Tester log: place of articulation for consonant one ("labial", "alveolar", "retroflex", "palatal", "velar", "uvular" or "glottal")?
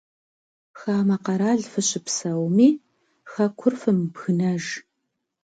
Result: velar